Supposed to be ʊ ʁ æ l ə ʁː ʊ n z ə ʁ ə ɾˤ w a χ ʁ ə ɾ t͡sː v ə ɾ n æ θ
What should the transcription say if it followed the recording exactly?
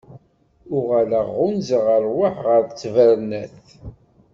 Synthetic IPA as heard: ʊ ʁ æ l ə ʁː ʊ n z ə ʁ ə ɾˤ w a ħ ʁ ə ɾ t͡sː v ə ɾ n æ θ